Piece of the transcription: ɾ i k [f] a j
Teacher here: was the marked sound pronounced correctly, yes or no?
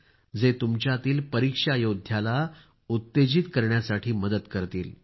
no